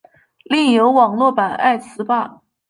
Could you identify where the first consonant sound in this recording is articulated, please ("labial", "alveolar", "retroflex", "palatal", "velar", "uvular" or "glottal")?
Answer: alveolar